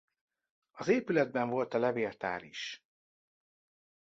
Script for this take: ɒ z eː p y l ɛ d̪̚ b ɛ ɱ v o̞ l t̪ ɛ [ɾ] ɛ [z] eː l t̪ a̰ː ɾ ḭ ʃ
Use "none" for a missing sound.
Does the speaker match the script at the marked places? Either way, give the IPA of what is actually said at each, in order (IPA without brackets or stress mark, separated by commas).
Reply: l, v